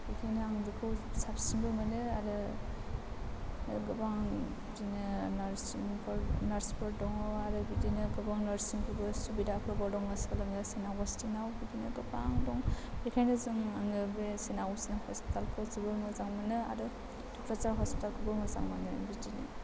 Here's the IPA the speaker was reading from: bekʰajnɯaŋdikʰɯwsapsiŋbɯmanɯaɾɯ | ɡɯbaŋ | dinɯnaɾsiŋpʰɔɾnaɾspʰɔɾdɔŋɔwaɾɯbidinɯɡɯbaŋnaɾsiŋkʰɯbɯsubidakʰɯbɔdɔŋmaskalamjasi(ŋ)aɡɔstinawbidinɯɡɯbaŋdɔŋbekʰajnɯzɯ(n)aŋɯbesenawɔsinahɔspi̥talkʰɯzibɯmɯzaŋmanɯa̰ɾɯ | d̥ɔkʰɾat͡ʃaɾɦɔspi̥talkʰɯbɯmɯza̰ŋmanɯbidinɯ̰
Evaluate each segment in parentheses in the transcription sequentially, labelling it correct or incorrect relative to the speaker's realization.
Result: incorrect, incorrect

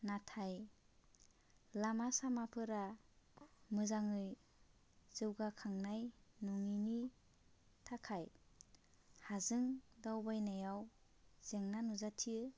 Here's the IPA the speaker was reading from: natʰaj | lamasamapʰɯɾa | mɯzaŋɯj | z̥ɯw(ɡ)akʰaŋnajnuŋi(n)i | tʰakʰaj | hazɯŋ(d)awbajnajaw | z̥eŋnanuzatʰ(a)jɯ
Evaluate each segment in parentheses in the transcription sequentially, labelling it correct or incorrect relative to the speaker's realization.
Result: correct, correct, correct, incorrect

